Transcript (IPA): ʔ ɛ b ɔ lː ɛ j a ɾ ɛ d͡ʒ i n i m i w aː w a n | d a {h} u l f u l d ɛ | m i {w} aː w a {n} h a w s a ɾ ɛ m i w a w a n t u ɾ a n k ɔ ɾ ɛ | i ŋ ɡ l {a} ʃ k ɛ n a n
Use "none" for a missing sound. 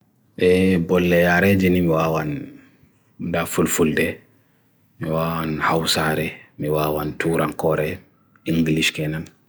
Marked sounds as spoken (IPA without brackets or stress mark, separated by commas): f, w, n, i